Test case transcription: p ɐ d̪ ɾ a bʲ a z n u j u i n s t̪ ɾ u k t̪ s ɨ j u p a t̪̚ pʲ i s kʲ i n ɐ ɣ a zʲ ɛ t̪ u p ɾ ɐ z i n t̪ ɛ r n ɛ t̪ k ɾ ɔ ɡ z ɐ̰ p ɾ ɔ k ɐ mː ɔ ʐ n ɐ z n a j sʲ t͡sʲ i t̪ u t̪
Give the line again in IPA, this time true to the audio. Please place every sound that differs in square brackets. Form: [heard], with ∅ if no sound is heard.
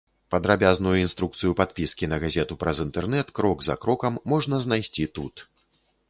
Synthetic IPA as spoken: p ɐ d̪ ɾ a bʲ a z n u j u i n s t̪ ɾ u k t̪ s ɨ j u p a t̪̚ pʲ i s kʲ i n ɐ ɣ a zʲ ɛ t̪ u p ɾ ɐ z i n t̪ ɛ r n ɛ t̪ k ɾ ɔ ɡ z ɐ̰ [k] ɾ ɔ k ɐ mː ɔ ʐ n ɐ z n a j sʲ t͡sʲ i t̪ u t̪